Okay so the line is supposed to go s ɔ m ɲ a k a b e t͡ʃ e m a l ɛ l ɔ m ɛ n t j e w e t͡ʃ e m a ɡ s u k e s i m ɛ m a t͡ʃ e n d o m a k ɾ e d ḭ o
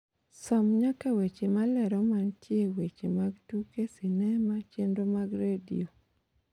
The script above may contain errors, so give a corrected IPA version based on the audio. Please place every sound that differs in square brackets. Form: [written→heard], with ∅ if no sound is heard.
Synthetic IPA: s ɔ m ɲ a k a [b→w] e t͡ʃ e m a l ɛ [l→ɾ] ɔ m [ɛ→a] n t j e w e t͡ʃ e m a ɡ [s→t] u k e s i [m→n] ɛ m a t͡ʃ e n d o m a [k→ɡ] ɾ e d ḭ o